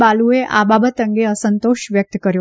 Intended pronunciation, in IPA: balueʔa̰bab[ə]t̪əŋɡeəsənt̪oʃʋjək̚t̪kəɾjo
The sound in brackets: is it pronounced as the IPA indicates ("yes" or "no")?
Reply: yes